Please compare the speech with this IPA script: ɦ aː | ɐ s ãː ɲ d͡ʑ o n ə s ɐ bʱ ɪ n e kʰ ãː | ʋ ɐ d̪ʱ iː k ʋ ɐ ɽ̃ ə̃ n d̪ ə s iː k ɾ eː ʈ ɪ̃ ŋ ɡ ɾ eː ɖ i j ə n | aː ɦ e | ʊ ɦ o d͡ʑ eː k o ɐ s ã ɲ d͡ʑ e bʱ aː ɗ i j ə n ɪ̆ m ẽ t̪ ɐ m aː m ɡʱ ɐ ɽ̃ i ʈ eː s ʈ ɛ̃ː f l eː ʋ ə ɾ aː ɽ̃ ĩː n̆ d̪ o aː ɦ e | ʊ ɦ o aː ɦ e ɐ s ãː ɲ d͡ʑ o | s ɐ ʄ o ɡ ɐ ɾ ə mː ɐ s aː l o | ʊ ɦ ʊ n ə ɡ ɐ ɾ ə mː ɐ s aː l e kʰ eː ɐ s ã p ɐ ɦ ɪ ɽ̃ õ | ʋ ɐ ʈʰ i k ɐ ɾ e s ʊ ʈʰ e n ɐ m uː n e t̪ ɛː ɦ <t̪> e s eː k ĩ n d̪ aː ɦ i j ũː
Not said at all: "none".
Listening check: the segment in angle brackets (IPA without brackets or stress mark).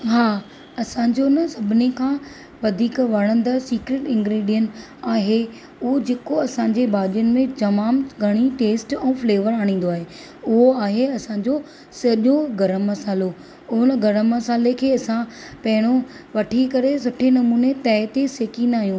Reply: t̪